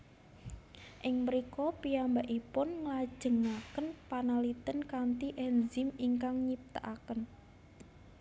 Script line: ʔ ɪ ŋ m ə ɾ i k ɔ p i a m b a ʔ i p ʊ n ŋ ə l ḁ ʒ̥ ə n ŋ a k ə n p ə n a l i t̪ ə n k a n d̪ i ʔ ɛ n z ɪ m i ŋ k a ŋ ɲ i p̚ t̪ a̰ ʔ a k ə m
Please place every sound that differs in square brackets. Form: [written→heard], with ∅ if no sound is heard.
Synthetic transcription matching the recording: ʔ ɪ ŋ m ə ɾ i k ɔ p i a m b a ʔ i p ʊ n ŋ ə l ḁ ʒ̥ ə [n→∅] ŋ a k ə n p [ə→a] n a l i t̪ ə n k a n [d̪→t̪] i ʔ ɛ n z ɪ m i ŋ k a ŋ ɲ i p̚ t̪ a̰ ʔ a k ə [m→n]